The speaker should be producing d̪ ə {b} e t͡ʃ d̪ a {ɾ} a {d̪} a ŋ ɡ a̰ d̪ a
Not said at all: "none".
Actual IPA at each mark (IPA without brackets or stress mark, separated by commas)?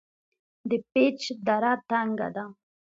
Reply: p, ɾ, t̪